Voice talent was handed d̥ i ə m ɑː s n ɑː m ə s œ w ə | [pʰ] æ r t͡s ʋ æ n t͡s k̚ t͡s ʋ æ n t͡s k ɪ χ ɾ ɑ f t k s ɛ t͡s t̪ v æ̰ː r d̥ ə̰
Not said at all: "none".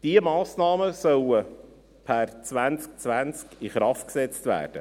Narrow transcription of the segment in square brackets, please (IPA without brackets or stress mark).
pʰ